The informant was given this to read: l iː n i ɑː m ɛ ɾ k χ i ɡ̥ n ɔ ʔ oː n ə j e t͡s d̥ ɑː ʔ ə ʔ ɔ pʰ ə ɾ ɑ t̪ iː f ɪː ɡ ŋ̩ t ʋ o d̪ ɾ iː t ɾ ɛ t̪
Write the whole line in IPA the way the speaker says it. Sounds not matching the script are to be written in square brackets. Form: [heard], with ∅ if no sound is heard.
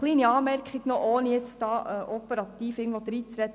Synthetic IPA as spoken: l iː n i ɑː m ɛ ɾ k χ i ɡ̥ n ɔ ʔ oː n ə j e t͡s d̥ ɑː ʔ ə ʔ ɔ [p] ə ɾ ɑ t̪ iː f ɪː ɡ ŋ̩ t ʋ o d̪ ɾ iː [t͡s] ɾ ɛ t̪